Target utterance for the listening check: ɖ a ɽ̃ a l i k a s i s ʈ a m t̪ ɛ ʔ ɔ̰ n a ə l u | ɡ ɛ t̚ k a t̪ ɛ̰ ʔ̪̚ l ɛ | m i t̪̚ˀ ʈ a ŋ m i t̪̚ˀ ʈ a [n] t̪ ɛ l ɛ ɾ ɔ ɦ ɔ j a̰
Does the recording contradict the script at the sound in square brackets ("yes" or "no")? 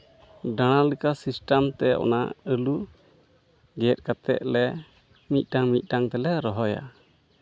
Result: yes